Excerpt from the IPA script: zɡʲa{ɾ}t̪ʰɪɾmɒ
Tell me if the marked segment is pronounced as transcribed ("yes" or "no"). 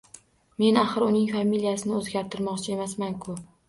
yes